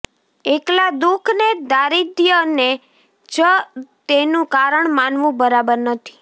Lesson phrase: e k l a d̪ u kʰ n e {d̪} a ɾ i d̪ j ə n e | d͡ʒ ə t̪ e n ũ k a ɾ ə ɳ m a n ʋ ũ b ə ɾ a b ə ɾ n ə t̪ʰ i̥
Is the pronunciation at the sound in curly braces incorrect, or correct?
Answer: correct